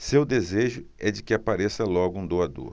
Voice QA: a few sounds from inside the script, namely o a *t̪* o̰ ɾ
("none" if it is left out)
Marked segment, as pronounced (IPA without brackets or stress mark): d̪